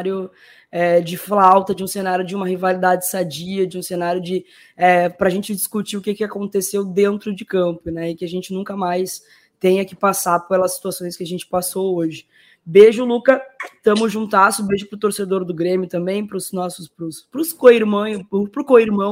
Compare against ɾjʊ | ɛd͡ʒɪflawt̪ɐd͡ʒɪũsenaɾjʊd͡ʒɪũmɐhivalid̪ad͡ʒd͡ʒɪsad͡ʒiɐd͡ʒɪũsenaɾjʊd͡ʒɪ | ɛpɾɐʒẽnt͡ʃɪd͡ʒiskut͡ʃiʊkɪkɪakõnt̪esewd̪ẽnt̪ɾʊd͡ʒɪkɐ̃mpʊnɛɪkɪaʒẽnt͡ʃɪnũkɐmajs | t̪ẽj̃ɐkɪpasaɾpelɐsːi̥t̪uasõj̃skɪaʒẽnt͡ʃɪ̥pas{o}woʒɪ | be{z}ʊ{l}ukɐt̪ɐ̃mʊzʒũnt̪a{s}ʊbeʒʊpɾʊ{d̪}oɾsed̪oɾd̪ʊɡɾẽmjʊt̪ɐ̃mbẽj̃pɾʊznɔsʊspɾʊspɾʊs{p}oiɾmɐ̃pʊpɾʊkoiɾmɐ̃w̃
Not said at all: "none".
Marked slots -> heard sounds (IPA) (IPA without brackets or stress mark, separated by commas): o, ʒ, l, s, t̪, k